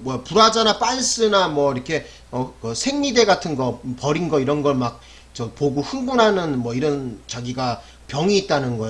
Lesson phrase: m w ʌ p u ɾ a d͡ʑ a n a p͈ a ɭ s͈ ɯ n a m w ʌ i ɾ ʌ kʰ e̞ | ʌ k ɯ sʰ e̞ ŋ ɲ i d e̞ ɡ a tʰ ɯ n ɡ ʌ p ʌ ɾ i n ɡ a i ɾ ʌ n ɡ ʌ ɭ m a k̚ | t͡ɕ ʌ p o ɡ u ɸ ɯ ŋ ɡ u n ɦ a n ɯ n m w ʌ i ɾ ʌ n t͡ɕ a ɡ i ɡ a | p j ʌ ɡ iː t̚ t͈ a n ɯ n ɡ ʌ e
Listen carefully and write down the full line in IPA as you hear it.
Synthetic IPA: m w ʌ p u ɾ a d͡ʑ a n a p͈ a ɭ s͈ ɯ n a m w ʌ i ɾ ʌ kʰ e̞ | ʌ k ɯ sʰ e̞ ŋ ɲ i d e̞ ɡ a tʰ ɯ n ɡ ʌ p ʌ ɾ i n ɡ ʌ i ɾ ʌ n ɡ ʌ ɭ m a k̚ | t͡ɕ ʌ p o ɡ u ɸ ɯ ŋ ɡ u n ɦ a n ɯ n m w ʌ i ɾ ʌ n t͡ɕ a ɡ i ɡ a | p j ʌ ŋ iː t̚ t͈ a n ɯ n ɡ ʌ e